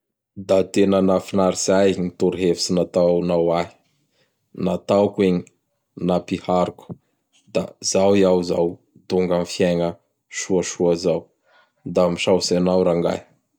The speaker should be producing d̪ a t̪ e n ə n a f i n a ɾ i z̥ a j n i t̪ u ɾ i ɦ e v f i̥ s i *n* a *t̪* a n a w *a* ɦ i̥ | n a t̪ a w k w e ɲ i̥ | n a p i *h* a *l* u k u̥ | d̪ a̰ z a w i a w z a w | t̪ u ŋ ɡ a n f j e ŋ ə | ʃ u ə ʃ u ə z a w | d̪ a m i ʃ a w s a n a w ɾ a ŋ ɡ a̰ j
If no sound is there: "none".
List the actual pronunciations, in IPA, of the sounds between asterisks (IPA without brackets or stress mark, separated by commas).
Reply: n, t̪, a, h, ɾ